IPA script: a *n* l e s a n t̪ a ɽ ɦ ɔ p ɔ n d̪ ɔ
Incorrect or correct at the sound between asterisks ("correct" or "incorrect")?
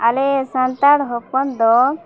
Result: incorrect